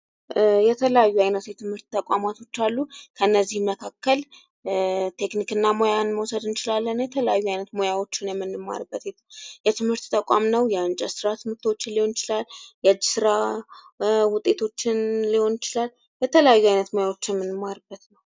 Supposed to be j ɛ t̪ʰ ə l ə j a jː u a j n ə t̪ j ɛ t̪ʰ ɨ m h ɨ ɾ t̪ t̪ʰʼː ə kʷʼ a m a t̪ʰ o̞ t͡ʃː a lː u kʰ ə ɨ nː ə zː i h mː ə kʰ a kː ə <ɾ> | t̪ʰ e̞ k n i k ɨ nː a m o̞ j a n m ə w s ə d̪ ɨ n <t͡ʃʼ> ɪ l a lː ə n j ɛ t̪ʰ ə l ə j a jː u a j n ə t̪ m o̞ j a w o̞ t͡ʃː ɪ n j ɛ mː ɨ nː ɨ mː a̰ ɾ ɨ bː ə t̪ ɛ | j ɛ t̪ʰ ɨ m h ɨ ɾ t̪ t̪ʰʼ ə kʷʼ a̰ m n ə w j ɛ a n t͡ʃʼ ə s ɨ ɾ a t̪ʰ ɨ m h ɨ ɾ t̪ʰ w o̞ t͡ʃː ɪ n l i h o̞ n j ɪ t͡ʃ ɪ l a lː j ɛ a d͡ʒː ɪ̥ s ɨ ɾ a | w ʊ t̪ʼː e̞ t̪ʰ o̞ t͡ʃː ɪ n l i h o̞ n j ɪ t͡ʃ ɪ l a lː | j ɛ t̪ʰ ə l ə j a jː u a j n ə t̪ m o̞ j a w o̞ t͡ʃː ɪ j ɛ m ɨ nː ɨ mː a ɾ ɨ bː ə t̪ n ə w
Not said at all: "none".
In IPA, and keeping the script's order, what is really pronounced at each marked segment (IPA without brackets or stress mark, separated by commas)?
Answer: l, t͡ʃ